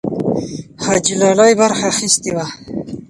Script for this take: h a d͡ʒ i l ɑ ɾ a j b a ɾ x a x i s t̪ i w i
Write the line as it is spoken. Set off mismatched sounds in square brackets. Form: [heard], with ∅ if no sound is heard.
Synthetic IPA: h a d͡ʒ i l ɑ [l] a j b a ɾ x a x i s t̪ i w [a]